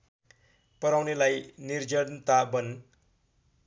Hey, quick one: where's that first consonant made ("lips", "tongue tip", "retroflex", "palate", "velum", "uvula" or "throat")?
lips